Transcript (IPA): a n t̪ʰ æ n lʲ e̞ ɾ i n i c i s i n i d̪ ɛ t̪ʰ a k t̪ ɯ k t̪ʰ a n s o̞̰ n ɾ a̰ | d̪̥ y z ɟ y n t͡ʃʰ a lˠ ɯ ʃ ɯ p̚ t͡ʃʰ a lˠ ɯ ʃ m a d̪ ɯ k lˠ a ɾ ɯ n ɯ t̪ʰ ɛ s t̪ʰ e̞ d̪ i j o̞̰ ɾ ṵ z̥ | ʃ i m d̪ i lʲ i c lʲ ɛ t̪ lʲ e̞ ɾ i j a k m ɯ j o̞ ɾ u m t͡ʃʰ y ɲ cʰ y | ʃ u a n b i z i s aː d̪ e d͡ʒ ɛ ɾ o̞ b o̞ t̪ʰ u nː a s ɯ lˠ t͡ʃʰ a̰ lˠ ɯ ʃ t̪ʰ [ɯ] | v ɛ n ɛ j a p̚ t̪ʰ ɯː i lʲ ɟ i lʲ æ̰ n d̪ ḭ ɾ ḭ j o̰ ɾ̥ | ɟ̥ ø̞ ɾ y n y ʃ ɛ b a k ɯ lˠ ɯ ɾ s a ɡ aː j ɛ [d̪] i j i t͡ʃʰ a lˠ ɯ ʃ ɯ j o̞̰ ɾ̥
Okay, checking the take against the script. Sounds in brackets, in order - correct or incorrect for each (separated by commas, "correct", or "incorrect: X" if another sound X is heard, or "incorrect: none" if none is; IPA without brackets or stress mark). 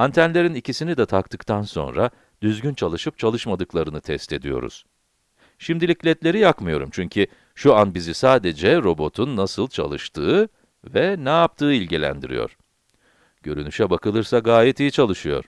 incorrect: ɯː, incorrect: t̪